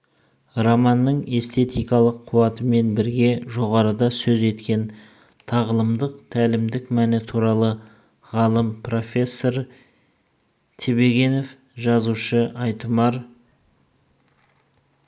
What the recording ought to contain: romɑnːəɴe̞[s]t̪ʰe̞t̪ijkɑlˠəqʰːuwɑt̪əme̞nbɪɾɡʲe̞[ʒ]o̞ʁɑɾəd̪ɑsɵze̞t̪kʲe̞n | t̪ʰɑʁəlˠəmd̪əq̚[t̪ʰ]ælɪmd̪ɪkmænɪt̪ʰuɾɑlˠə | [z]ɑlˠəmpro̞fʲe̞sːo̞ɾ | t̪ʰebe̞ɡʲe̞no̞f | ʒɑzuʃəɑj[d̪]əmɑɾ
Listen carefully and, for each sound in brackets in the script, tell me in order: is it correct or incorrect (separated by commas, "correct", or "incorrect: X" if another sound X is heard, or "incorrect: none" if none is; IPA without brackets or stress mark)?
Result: correct, correct, correct, incorrect: ʁ, incorrect: t̪